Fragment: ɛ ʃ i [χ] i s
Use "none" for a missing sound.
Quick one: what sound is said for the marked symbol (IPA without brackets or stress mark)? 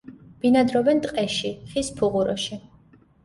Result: χ